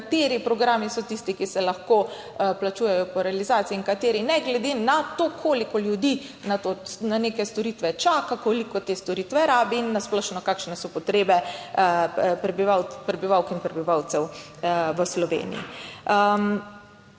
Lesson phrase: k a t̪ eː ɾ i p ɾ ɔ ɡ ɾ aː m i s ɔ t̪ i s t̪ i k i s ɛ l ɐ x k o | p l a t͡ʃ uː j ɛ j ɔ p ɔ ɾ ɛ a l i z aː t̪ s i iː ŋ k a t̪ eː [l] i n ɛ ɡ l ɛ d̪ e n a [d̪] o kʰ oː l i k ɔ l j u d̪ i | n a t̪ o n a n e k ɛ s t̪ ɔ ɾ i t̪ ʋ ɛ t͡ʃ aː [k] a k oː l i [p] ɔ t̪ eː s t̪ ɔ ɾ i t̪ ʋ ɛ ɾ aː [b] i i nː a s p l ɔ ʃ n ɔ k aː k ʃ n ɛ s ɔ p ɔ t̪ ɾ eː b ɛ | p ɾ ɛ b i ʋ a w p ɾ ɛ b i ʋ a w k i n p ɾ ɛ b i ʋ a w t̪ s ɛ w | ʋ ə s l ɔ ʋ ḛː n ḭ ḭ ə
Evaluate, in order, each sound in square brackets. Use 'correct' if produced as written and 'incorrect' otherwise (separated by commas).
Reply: incorrect, incorrect, correct, incorrect, correct